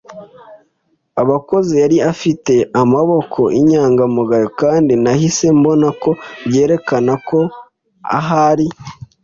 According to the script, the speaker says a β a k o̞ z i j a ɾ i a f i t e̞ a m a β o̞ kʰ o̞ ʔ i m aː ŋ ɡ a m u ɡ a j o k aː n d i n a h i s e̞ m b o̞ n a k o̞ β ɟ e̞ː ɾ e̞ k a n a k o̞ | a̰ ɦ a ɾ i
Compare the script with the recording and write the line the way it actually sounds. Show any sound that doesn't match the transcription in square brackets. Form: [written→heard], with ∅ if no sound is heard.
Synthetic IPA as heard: a β a k o̞ z i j a ɾ i a f i t e̞ a m a β o̞ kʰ o̞ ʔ i [m→ɲ] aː ŋ ɡ a m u ɡ a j o k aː n d i n a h i s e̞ m b o̞ n a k o̞ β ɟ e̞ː ɾ e̞ k a n a k o̞ | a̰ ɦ a ɾ i